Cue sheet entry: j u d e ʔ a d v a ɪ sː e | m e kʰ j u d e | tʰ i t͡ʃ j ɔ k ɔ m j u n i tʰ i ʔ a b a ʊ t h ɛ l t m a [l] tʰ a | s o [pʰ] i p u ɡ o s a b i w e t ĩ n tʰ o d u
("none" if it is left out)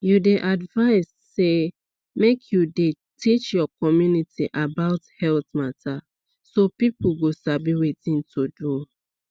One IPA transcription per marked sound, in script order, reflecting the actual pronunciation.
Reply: none, p

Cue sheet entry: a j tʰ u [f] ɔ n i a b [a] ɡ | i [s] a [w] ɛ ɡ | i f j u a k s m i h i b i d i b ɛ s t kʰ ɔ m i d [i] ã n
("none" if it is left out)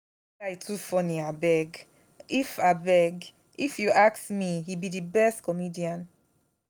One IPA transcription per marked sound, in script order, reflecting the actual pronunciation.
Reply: f, ɛ, f, b, i

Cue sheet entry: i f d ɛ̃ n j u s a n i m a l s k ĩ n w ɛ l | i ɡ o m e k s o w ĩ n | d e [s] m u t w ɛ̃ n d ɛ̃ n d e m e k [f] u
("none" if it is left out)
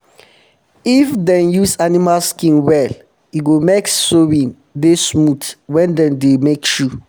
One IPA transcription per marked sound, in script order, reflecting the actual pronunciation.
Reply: s, ʃ

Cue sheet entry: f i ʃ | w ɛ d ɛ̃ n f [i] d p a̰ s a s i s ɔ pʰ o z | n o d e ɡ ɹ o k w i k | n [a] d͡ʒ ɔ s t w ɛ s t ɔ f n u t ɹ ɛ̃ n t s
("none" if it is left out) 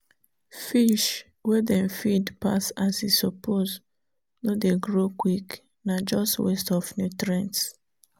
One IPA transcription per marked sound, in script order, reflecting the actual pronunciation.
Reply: i, a

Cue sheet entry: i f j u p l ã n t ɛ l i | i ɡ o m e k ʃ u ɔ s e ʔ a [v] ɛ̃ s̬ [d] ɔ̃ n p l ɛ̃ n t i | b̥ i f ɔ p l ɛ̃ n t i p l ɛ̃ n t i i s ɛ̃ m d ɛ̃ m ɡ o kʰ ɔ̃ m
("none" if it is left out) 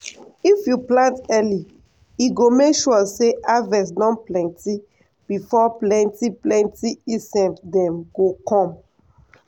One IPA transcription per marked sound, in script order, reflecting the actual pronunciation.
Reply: v, n

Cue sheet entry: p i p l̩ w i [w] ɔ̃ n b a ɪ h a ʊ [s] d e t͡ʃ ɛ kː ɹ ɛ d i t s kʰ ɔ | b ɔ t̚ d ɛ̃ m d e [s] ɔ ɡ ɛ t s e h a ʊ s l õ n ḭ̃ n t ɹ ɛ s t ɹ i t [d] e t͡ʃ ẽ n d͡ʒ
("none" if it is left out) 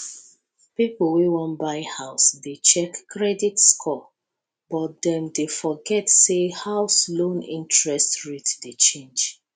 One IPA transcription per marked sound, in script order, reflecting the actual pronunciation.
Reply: w, s, f, d

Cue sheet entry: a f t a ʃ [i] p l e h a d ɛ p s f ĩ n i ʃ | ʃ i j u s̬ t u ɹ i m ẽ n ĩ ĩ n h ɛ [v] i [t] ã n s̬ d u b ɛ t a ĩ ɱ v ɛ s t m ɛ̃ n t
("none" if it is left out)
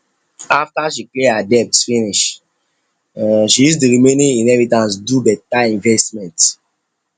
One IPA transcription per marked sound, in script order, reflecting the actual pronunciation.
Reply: i, v, t

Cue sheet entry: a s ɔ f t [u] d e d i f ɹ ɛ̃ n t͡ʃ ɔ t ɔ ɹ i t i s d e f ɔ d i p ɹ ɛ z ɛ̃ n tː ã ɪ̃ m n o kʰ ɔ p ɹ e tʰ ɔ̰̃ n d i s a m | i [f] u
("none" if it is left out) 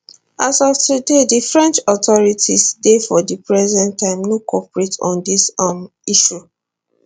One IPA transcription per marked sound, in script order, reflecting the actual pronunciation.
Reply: u, ʃ

